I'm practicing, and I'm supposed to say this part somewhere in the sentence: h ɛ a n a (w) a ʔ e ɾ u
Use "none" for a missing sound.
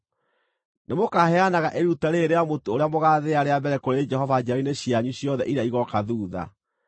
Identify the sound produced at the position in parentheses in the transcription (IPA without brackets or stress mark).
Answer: ɣ